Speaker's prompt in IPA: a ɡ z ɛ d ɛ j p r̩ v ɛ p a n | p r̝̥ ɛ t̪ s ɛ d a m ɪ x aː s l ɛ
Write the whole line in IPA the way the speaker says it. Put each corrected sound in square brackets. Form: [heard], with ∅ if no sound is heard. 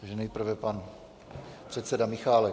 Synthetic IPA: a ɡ [ʒ] ɛ [n] ɛ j p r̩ v ɛ p a n | p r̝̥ ɛ t̪ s ɛ d a m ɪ x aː [∅] l ɛ